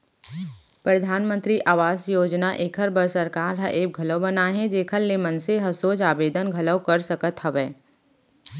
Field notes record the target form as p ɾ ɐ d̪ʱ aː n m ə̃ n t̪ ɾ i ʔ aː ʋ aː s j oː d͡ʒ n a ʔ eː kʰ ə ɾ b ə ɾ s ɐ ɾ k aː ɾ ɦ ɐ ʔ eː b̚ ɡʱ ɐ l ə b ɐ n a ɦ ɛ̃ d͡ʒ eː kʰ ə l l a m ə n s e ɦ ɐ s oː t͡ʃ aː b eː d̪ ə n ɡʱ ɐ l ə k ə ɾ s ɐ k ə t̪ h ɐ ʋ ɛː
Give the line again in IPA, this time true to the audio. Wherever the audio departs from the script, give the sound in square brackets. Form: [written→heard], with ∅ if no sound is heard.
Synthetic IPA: p ɾ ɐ d̪ʱ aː n m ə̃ n t̪ ɾ i ʔ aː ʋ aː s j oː d͡ʒ n a ʔ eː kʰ ə ɾ b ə ɾ s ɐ ɾ k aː ɾ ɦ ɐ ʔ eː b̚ ɡʱ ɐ l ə b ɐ n a ɦ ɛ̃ d͡ʒ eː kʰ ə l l [a→e] m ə n s e ɦ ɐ s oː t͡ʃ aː b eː d̪ ə n ɡʱ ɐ l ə k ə ɾ s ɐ k ə t̪ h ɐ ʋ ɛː